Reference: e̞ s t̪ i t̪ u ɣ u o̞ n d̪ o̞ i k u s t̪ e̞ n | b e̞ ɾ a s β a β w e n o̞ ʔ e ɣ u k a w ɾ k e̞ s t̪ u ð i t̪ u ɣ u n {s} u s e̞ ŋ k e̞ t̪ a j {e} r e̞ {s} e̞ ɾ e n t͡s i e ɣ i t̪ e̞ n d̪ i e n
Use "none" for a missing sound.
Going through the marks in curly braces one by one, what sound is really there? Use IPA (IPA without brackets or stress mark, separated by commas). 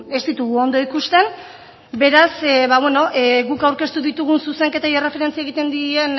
s, e, f